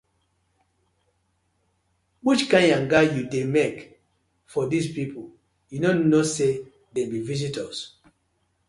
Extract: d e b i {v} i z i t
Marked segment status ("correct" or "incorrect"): correct